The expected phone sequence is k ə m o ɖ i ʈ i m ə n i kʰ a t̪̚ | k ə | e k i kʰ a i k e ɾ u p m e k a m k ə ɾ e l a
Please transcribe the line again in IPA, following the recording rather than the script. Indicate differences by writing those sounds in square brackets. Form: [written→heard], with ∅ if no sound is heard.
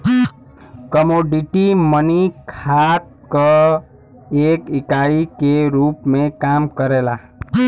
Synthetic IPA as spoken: k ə m o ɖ i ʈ i m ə n i kʰ a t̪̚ | k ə | e k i [kʰ→k] a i k e ɾ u p m e k a m k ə ɾ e l a